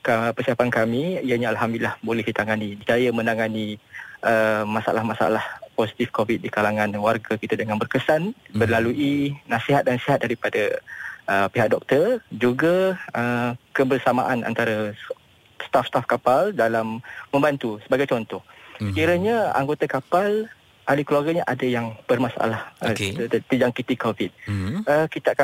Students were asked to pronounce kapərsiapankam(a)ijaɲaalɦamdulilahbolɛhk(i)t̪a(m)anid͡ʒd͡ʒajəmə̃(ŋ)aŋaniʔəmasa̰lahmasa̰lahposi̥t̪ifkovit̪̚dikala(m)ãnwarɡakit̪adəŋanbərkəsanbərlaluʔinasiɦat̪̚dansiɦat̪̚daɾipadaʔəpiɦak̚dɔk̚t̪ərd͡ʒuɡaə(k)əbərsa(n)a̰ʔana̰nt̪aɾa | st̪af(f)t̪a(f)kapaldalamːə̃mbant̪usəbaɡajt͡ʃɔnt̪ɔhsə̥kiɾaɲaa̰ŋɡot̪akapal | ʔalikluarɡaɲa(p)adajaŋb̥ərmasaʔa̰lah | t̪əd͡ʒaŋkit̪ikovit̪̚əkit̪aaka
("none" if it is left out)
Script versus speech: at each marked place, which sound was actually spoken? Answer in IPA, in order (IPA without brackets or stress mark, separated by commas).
i, i, ŋ, n, ŋ, k, m, s, f, ʔ